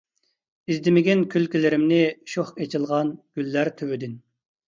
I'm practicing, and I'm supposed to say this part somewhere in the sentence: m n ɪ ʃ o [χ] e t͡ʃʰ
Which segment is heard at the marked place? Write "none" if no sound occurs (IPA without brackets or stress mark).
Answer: χ